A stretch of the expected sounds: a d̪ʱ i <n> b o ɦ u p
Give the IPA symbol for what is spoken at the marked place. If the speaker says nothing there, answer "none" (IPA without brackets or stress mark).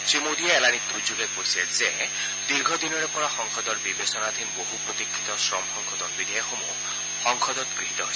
n